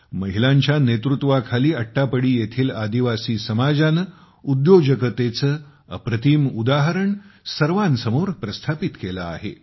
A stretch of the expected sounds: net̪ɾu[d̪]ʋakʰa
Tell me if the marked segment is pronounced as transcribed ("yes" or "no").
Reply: no